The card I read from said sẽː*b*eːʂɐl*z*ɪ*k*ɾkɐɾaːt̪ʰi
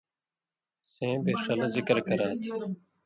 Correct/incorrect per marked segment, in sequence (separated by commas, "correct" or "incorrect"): correct, correct, correct